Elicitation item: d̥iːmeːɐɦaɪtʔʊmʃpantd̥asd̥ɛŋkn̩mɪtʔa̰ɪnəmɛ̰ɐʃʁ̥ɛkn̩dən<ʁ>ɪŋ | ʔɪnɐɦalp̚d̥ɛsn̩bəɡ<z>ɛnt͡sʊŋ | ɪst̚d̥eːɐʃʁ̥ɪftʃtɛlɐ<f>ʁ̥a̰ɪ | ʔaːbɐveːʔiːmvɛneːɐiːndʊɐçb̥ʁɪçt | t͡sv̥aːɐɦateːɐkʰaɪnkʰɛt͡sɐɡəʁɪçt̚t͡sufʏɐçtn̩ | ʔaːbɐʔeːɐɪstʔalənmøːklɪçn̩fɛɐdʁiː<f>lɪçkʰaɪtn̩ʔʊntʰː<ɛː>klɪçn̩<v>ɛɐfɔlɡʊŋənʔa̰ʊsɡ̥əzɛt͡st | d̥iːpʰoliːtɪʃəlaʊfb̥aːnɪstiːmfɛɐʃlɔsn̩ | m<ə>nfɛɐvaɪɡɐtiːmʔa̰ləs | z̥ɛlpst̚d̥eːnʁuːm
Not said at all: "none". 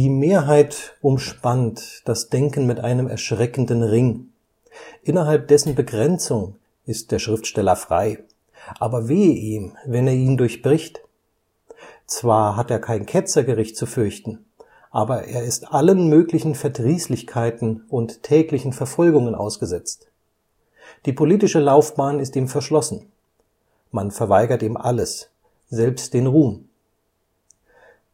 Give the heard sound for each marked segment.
ʁ, ʁ, f, s, ɛː, f, a

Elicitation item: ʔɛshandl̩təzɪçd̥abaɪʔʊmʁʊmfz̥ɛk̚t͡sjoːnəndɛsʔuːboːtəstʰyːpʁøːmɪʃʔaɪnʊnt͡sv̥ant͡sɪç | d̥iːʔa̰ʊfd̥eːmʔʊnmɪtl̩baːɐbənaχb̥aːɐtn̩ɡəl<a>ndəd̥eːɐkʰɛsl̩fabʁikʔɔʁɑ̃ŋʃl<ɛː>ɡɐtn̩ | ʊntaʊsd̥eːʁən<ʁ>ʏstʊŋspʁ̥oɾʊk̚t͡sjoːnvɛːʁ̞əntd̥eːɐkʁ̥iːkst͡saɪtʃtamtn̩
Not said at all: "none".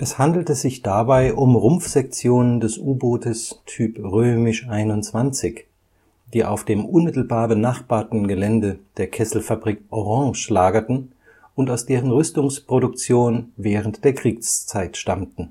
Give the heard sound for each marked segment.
ɛ, aː, ʁ

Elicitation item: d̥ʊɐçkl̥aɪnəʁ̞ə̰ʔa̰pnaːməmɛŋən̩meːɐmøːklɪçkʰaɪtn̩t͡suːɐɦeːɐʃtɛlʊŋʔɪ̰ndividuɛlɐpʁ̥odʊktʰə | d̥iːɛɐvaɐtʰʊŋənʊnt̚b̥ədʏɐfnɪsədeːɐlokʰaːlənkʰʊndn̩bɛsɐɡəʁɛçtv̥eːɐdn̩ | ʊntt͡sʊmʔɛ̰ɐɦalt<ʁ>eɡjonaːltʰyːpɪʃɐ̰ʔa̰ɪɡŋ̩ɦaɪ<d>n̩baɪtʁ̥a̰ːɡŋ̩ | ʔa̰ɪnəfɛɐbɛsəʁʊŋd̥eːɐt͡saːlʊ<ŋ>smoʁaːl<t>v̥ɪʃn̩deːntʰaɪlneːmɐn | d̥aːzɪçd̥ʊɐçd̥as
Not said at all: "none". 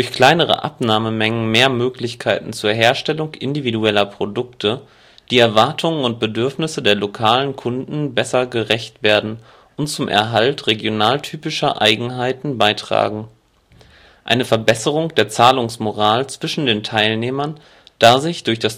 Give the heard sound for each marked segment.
ʁ, t, ŋ, t͡s

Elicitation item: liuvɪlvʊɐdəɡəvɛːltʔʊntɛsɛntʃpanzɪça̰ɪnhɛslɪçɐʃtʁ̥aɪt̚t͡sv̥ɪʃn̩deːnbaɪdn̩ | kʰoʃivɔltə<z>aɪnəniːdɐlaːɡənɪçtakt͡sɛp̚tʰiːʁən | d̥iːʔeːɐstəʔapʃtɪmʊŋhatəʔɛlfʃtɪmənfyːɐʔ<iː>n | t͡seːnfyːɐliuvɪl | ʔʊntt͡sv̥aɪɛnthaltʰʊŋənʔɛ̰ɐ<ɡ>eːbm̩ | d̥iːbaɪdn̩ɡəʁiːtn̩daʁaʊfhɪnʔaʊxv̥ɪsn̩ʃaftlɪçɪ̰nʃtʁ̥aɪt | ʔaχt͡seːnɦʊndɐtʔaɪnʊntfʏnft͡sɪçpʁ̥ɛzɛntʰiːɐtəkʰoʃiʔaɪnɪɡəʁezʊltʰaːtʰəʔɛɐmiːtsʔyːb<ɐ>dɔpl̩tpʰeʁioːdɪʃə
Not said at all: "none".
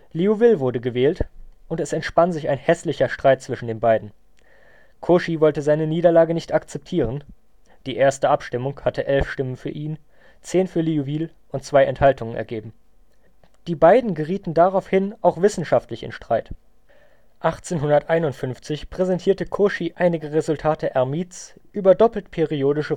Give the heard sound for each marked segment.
z, iː, ɡ, ɐ

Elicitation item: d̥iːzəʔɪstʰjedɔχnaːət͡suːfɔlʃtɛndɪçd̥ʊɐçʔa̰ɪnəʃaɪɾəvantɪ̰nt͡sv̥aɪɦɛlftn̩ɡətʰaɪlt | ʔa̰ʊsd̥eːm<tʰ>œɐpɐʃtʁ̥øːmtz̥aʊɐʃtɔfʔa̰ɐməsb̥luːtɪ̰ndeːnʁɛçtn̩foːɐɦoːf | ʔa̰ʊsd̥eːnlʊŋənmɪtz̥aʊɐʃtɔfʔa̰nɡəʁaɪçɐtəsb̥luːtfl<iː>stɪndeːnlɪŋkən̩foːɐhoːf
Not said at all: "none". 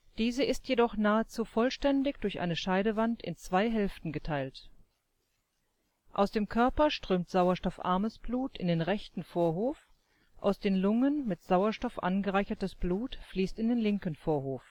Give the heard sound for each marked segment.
kʰ, iː

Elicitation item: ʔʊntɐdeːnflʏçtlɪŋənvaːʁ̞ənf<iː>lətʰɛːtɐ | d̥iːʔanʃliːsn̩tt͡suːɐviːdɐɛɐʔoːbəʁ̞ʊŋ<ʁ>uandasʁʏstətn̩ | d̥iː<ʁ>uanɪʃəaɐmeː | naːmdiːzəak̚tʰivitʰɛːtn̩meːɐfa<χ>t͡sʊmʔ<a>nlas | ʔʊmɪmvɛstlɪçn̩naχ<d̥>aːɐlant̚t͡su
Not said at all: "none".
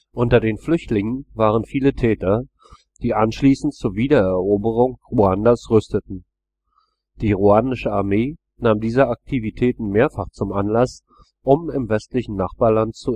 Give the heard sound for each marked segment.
iː, ʁ, ʁ, χ, a, b̥

